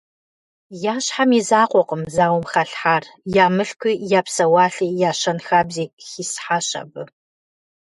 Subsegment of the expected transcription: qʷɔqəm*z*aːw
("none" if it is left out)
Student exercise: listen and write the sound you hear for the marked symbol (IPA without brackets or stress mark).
z